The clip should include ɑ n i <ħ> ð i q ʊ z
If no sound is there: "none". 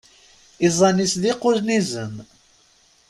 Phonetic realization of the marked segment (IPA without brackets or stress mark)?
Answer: s